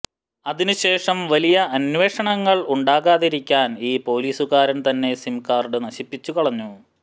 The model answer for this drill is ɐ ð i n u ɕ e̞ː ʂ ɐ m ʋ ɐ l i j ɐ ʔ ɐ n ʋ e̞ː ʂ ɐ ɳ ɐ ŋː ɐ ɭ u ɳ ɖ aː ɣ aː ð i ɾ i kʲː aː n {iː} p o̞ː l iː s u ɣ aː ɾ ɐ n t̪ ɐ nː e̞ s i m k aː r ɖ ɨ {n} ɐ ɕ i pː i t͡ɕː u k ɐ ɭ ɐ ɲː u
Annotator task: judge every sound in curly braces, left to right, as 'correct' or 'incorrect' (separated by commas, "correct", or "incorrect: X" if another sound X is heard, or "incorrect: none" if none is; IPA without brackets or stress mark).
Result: correct, correct